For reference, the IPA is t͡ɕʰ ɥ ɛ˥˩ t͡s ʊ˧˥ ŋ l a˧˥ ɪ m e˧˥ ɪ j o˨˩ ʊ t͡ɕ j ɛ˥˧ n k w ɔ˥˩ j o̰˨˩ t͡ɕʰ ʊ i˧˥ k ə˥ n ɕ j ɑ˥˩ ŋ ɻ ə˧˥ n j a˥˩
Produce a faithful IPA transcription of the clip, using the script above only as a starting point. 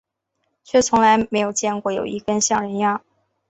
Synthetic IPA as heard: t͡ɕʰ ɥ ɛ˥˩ t͡sʰ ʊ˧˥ ŋ l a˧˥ ɪ m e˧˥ ɪ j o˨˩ ʊ t͡ɕ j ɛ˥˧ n k w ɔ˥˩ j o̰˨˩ ʊ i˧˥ k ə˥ n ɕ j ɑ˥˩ ŋ ɻ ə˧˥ n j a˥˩